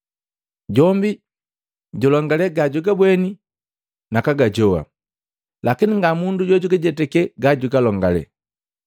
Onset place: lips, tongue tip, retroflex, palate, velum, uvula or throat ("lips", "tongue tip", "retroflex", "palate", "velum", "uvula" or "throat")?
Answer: palate